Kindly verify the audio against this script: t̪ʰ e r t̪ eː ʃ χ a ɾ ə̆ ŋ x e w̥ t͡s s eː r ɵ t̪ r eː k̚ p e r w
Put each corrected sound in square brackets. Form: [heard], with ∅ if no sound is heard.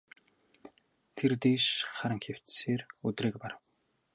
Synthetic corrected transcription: t̪ʰ e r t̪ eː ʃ χ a ɾ ə̆ ŋ x e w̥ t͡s s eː r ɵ t̪ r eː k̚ p [a] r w